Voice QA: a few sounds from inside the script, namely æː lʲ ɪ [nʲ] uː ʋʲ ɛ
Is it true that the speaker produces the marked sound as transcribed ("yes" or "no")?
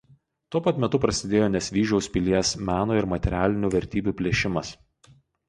yes